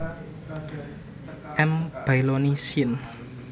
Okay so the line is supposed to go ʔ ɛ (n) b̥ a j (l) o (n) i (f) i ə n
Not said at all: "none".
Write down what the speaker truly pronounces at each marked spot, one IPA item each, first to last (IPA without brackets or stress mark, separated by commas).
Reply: m, l, n, s